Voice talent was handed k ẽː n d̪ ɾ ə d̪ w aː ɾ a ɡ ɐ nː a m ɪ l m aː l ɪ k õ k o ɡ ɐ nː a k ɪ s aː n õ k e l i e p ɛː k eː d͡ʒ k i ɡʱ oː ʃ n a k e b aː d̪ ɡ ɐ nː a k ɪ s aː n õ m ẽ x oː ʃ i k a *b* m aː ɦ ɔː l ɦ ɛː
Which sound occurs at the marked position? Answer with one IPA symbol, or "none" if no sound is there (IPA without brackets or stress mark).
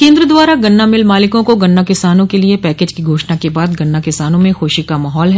none